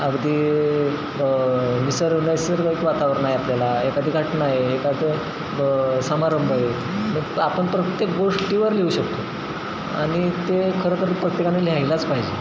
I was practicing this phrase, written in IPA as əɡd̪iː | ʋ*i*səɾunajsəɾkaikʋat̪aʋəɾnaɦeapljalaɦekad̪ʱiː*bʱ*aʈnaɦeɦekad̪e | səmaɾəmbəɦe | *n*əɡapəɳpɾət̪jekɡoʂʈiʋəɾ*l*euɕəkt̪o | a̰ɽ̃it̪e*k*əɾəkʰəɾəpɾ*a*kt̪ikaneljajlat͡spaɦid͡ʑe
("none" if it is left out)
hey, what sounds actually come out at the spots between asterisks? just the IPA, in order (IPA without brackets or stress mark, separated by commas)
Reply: i, ɡʱ, m, l, kʰ, ə